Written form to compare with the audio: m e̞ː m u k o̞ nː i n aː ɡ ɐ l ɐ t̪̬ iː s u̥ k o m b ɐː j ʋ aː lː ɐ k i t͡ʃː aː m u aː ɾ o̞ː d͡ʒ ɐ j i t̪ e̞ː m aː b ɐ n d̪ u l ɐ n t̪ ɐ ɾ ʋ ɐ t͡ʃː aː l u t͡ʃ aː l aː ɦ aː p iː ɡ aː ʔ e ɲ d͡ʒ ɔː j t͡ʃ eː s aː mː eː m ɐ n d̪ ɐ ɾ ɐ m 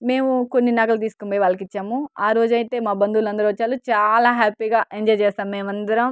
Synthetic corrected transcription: m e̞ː m u k o̞ nː i n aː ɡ ɐ l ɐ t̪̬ iː s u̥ k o m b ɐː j ʋ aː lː ɐ k i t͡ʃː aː m u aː ɾ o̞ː d͡ʒ ɐ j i t̪ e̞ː m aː b ɐ n d̪ u l ɐ n d̪ ɐ ɾ ʋ ɐ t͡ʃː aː l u t͡ʃ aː l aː ɦ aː p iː ɡ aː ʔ e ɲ d͡ʒ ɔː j t͡ʃ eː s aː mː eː m ɐ n d̪ ɐ ɾ ɐ m